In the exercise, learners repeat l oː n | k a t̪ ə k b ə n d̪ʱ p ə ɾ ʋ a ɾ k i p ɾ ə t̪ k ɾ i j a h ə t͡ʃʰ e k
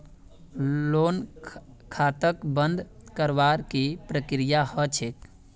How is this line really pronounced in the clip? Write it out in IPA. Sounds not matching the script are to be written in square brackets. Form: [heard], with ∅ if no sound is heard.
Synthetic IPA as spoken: l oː n | [kʰ] a t̪ ə k b ə n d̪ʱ [k] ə ɾ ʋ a ɾ k i p ɾ ə [∅] k ɾ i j a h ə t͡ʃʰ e k